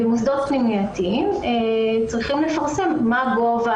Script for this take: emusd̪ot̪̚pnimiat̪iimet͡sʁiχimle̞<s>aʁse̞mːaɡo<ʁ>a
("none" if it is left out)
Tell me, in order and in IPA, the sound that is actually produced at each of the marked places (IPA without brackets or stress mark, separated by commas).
f, v